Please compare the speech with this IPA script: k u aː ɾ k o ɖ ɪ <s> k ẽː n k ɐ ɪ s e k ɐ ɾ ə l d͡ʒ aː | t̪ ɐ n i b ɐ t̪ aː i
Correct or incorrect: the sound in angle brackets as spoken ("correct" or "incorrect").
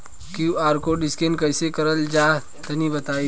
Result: correct